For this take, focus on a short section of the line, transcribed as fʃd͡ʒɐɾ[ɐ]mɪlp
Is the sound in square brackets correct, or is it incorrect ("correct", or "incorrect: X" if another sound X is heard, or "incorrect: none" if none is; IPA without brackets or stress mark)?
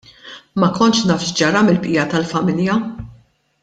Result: correct